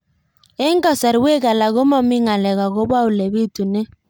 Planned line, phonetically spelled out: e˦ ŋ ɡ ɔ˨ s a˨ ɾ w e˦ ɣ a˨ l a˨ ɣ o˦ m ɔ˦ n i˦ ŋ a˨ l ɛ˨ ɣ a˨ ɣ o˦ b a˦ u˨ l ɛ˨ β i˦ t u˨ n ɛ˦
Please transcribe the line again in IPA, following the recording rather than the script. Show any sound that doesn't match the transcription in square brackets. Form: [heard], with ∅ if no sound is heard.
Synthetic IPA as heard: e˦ ŋ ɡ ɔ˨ s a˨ ɾ w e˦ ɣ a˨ l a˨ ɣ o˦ m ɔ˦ [m] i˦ ŋ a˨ l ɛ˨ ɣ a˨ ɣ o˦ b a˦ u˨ l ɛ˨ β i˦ t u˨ n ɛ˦